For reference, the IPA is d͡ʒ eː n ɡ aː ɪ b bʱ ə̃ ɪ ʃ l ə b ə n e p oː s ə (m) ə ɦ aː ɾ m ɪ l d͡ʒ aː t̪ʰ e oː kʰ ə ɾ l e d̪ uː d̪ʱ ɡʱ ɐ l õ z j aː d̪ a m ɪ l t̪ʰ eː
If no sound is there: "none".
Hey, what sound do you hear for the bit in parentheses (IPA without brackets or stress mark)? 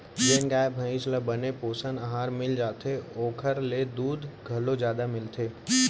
n